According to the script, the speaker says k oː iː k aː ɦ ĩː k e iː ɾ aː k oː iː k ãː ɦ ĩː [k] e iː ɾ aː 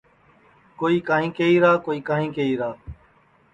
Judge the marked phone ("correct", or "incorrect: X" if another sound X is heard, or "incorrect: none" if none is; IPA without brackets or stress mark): correct